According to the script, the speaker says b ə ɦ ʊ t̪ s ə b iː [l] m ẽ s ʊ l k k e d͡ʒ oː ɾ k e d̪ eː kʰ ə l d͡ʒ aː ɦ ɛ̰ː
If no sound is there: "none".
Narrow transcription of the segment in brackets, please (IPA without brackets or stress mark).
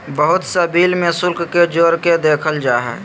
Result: l